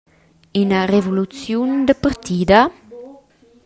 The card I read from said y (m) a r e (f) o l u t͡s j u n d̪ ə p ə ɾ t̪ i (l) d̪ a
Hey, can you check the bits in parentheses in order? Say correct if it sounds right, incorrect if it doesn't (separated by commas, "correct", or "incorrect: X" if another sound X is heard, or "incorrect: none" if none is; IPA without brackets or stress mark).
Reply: incorrect: n, incorrect: v, incorrect: none